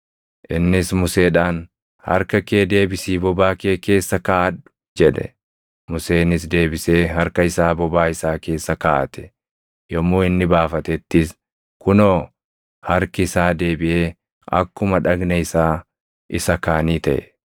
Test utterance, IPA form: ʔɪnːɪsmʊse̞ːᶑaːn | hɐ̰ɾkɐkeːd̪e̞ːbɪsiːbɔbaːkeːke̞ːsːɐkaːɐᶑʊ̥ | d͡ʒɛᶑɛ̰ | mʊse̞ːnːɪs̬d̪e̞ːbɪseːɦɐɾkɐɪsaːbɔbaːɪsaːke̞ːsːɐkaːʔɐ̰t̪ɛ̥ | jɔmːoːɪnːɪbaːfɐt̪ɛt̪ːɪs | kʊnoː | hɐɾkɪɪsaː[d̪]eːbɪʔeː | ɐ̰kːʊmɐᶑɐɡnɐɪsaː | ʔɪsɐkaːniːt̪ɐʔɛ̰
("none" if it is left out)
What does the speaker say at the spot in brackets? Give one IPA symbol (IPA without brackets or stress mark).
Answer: d̪